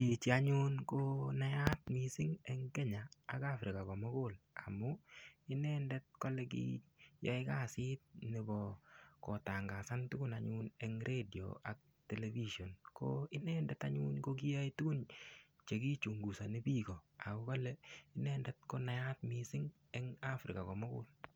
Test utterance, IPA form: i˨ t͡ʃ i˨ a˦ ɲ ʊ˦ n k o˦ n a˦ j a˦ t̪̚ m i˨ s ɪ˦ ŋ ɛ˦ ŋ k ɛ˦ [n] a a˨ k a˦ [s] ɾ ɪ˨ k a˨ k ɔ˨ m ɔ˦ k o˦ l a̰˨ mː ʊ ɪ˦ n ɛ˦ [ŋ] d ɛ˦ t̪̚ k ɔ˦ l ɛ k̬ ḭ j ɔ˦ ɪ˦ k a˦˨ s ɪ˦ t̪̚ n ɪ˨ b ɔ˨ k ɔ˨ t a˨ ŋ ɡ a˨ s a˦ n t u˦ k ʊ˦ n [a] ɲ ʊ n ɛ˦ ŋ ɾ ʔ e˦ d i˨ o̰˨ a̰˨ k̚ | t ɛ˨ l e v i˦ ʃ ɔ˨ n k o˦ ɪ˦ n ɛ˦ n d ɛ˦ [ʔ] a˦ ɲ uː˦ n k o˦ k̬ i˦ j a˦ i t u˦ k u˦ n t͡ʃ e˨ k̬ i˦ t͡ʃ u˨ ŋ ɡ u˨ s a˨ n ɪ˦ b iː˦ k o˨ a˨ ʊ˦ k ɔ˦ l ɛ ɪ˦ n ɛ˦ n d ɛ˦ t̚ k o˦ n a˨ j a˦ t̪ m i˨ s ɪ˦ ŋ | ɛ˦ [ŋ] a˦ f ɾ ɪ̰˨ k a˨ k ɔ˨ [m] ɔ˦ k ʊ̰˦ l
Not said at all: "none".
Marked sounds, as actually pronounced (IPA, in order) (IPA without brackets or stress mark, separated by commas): ɲ, f, n, a, t, ŋ, m